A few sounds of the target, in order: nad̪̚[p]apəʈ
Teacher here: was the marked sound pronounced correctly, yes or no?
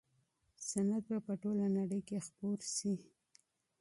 no